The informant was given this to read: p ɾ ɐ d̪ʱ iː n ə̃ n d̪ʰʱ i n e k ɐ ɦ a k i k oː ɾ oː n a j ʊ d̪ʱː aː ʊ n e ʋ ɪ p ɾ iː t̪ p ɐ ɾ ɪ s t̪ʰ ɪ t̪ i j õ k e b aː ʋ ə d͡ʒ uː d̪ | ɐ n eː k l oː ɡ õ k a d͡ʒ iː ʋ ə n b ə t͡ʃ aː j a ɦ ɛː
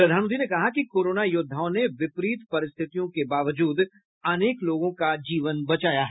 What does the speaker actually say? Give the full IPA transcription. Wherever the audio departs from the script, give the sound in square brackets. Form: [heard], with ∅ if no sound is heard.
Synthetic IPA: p ɾ ɐ d̪ʱ [aː] n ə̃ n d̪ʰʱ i n e k ɐ ɦ a k i k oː ɾ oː n a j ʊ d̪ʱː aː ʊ n e ʋ ɪ p ɾ iː t̪ p ɐ ɾ ɪ s t̪ʰ ɪ t̪ i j õ k e b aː ʋ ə d͡ʒ uː d̪ | ɐ n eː k l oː ɡ õ k a d͡ʒ iː ʋ ə n b [ɐ] t͡ʃ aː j a ɦ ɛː

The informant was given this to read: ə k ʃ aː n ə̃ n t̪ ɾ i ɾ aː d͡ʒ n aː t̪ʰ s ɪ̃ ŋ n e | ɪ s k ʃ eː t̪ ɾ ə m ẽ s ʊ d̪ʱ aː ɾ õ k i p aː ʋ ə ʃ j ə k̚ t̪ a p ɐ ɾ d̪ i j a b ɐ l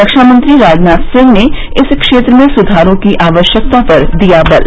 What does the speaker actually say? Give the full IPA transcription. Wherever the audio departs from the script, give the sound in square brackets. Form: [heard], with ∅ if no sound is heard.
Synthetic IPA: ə k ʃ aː [m] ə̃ n t̪ ɾ i ɾ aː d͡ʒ n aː [t̪] s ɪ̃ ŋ n e | ɪ s k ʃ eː t̪ ɾ ə m ẽ s ʊ d̪ʱ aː ɾ õ k i [ʔ] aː ʋ ə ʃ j ə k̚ t̪ a p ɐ ɾ d̪ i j a b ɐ l

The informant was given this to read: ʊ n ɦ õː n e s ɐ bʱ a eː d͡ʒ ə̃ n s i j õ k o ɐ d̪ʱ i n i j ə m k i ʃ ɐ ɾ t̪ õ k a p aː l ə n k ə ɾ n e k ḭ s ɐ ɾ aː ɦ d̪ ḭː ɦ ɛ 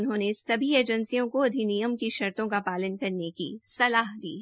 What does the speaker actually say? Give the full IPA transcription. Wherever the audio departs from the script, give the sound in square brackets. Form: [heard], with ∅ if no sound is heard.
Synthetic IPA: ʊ n ɦ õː n e s ɐ bʱ [i] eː d͡ʒ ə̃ n s i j õ k o ɐ d̪ʱ i n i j ə m k i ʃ ɐ ɾ t̪ õ k a p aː l ə n k [ɐ] ɾ n e k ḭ s ɐ [l] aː ɦ d̪ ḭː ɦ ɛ

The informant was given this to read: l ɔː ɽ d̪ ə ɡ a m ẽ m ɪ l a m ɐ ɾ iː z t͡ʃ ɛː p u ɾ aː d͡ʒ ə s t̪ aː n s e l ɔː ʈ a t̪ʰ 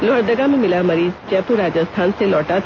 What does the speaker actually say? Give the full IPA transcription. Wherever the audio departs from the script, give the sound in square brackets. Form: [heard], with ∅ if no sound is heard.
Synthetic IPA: l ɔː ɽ d̪ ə ɡ a m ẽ m ɪ l a m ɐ ɾ iː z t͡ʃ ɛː p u ɾ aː d͡ʒ ə s [t̪ʰ] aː n s e l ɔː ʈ a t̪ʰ

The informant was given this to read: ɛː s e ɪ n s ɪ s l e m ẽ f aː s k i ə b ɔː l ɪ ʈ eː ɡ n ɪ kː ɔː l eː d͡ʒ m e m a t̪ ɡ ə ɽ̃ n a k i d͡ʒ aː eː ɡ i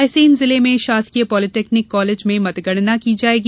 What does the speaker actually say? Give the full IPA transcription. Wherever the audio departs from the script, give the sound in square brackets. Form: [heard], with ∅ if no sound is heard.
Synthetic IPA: ɛː s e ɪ n [z] ɪ [∅] l e m ẽ [ʃ] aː s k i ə [p] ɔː l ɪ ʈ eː [k] n ɪ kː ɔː l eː d͡ʒ m [ẽ] m [ɐ] t̪ ɡ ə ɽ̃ n a k i d͡ʒ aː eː ɡ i

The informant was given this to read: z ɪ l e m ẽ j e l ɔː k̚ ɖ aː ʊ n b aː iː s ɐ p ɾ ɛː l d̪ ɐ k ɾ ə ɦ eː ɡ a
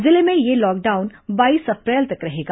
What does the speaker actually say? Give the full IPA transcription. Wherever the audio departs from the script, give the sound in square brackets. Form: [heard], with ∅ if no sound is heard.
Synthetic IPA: z ɪ l e m ẽ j e l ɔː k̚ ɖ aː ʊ n b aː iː s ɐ p ɾ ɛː l [t̪] ɐ k ɾ [ɐ] ɦ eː ɡ a

